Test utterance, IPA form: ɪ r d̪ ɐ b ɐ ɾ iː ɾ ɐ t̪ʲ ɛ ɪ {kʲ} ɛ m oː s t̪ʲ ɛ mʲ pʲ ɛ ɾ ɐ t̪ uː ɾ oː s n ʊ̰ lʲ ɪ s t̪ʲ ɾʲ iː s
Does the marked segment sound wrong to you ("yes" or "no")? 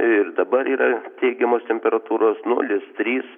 yes